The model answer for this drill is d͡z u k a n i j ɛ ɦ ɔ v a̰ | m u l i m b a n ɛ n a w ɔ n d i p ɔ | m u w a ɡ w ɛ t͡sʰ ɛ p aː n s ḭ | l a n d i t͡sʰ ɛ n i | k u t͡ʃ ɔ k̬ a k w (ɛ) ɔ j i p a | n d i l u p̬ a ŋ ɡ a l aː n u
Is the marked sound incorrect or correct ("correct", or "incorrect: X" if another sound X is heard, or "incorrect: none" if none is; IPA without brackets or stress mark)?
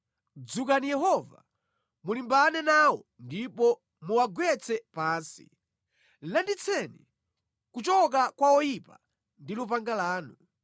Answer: incorrect: a